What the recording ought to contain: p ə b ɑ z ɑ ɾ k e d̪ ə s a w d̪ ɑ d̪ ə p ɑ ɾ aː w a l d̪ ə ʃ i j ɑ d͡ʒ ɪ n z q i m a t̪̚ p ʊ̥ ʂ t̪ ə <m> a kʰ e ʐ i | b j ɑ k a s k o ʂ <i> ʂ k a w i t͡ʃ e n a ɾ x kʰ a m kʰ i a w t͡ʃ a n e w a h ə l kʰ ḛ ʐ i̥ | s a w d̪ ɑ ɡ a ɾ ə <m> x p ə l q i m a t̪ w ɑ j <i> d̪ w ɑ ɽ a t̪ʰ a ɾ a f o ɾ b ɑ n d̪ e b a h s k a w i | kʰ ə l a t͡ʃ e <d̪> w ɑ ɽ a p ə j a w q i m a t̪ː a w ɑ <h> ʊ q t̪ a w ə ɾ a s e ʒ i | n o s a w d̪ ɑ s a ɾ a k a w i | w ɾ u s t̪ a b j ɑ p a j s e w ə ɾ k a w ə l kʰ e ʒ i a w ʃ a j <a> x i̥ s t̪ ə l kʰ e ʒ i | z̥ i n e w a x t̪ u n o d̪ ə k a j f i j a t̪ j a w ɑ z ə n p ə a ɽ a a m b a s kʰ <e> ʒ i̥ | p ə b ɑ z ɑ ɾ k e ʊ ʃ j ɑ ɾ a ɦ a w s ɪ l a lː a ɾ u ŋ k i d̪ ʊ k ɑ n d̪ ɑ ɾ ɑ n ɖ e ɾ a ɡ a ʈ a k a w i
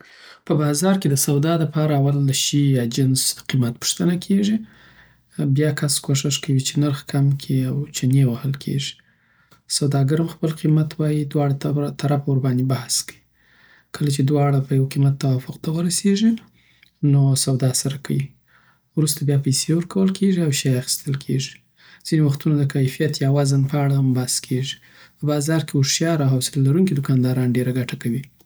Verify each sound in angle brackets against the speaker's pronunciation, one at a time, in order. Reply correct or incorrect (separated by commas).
incorrect, incorrect, correct, correct, correct, incorrect, correct, correct